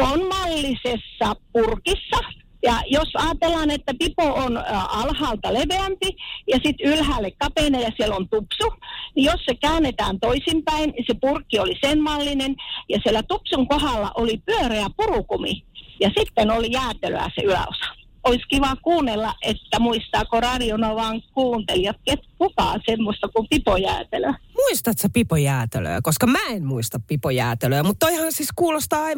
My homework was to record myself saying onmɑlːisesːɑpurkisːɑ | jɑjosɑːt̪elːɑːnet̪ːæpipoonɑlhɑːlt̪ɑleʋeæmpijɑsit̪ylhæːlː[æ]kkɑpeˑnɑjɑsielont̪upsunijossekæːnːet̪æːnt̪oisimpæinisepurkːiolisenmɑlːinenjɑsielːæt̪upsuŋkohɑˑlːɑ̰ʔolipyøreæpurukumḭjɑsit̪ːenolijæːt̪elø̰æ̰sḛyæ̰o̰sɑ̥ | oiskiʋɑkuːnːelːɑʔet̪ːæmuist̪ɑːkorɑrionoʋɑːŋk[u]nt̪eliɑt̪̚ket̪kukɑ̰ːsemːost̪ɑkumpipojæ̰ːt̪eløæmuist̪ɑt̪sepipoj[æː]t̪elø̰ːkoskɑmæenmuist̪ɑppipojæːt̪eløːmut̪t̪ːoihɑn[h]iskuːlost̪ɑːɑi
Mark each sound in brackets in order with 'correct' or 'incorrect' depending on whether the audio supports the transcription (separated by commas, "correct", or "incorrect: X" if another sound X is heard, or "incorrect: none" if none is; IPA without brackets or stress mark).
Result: incorrect: e, incorrect: uː, correct, incorrect: s